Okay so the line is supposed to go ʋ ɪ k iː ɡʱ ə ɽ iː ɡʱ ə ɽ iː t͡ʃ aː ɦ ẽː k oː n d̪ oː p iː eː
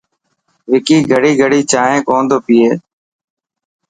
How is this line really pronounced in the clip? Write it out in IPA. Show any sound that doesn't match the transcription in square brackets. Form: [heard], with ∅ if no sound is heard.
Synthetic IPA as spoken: ʋ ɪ k iː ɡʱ ə ɽ iː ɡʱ ə ɽ iː t͡ʃ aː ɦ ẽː k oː n d̪ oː p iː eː

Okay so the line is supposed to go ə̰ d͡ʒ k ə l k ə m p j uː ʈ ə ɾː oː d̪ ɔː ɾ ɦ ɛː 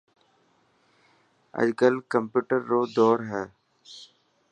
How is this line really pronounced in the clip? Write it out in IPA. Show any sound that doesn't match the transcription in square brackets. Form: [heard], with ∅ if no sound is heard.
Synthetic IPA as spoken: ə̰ d͡ʒ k ə l k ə m p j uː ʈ ə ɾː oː d̪ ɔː ɾ ɦ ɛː

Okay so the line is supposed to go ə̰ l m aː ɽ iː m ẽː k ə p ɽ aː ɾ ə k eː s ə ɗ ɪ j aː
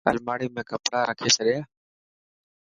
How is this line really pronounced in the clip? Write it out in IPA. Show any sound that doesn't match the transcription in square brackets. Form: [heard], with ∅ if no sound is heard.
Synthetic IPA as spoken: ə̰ l m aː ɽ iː m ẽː k ə p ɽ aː ɾ ə [kʰ] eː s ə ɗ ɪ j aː

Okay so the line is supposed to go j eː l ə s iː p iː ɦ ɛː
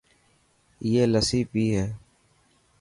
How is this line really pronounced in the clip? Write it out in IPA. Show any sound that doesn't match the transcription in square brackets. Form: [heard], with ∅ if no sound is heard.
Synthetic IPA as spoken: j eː l ə s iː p iː ɦ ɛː

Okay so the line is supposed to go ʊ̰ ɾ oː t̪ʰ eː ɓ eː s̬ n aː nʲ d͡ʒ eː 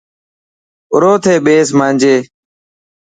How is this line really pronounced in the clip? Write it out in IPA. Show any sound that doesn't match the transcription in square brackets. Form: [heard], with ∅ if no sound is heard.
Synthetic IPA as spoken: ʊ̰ ɾ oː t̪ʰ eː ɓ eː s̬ [m] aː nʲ d͡ʒ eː

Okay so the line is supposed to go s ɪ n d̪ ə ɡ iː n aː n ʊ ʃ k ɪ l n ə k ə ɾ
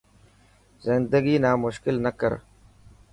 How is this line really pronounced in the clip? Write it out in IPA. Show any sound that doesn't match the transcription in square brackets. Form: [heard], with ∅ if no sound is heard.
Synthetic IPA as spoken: [z] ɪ n d̪ ə ɡ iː n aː [m] ʊ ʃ k ɪ l n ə k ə ɾ

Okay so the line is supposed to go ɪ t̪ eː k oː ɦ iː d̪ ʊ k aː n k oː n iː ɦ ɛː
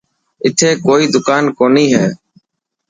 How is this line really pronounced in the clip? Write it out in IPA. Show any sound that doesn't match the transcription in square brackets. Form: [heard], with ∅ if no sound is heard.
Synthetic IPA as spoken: ɪ [t̪ʰ] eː k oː [∅] iː d̪ ʊ k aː n k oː n iː ɦ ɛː

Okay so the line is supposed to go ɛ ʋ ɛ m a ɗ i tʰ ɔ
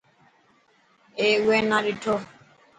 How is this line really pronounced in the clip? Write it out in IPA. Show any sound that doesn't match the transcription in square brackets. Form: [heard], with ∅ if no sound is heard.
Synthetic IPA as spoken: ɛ [w] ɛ [n] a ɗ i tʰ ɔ

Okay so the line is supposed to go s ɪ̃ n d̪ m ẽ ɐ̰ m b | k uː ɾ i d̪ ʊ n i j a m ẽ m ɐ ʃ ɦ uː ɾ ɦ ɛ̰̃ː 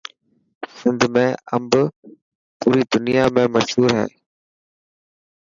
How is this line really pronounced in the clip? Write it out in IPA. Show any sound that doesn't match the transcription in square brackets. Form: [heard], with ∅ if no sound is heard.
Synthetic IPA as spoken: s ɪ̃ n d̪ m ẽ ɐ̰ m b | [p] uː ɾ i d̪ ʊ n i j a m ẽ m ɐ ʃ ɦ uː ɾ ɦ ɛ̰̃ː

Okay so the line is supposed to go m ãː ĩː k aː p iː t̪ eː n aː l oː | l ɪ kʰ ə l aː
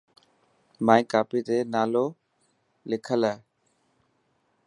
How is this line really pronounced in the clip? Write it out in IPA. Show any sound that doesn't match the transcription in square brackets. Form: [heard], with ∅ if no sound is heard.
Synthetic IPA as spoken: m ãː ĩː k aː p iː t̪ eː n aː l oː | l ɪ kʰ ə l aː

